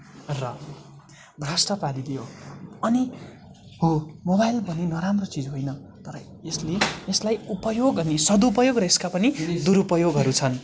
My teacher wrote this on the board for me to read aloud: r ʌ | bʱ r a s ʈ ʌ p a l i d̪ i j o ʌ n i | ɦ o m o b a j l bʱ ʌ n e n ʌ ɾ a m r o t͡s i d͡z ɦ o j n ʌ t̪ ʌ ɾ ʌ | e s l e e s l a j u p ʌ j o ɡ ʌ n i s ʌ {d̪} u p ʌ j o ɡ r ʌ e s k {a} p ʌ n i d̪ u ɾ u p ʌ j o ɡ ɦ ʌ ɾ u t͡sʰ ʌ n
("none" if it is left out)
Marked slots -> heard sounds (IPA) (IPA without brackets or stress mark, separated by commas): d̪, a